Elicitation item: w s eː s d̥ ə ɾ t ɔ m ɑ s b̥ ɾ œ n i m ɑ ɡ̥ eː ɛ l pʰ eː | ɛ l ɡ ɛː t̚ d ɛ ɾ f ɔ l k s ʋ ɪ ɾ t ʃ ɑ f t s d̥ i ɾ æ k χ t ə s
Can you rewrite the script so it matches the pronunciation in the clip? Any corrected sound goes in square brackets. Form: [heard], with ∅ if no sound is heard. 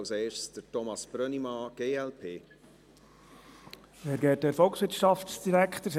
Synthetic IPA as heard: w s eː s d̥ ə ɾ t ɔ m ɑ s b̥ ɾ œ n i m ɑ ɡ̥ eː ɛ l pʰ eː | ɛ [ɾ] ɡ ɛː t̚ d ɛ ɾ f ɔ l k s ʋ ɪ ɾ t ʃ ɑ f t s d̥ i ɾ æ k χ t ə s

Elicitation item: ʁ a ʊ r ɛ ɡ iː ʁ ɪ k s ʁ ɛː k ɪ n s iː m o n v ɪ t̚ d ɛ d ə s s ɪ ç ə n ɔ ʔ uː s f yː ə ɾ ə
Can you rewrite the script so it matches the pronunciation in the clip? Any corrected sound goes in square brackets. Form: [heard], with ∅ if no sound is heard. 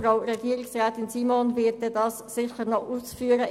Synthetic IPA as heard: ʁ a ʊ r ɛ ɡ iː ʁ ɪ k s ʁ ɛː [t] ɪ n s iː m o n v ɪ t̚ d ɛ d [ɑ] s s ɪ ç ə n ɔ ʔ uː s f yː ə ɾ ə

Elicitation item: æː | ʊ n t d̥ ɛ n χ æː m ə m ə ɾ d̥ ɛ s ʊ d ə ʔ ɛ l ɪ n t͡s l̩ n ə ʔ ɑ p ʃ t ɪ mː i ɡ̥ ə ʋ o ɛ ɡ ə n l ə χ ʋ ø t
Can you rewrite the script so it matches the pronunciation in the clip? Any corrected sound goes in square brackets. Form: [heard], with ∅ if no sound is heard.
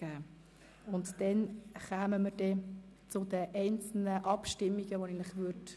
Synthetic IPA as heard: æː | ʊ n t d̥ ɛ n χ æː m ə m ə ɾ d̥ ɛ [t͡s] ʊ d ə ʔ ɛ [∅] ɪ n t͡s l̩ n ə ʔ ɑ p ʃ t ɪ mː i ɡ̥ ə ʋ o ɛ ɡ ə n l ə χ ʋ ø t

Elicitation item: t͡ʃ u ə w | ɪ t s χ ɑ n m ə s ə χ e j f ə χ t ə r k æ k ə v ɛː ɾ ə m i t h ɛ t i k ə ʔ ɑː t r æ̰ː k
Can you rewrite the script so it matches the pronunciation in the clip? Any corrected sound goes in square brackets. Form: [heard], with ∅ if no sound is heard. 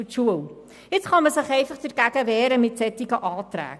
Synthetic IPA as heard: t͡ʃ u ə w | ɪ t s χ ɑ n m ə s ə χ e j f ə χ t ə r k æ k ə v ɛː ɾ ə m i t [s] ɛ t i k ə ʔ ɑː t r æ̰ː k

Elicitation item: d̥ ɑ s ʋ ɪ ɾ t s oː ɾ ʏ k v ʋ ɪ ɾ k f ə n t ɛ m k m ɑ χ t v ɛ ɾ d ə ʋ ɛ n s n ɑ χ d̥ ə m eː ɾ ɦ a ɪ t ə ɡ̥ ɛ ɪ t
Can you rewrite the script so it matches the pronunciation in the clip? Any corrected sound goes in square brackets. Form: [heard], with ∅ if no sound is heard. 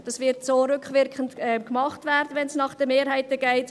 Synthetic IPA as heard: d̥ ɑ s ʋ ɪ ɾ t s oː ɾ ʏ k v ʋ ɪ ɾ k [χ] ə n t ɛ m k m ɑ χ t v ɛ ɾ d ə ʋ ɛ n s n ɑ χ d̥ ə m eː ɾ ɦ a ɪ t ə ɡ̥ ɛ ɪ t

